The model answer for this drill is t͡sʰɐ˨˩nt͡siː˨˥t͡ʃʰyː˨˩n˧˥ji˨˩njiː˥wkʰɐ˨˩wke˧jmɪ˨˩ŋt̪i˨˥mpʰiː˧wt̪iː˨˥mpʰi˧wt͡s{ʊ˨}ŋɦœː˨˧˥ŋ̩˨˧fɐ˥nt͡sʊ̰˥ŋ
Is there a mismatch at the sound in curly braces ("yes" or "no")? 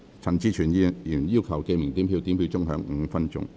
yes